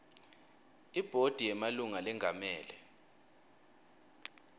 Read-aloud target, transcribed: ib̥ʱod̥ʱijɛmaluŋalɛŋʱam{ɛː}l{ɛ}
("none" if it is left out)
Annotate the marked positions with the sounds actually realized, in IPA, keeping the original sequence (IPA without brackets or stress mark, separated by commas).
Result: ɛː, ɛ